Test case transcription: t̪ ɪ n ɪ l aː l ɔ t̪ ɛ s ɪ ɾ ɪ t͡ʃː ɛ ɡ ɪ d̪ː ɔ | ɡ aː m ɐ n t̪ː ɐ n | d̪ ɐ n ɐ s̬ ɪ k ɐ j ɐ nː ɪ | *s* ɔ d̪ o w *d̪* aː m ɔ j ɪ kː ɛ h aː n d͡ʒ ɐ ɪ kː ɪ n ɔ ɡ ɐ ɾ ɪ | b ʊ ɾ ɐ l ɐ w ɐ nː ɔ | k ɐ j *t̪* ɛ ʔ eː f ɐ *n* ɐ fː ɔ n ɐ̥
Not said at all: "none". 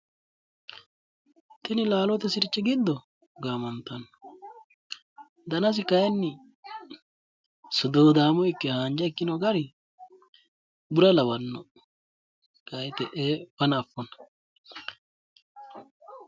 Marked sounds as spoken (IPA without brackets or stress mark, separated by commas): s, d̪, t̪, n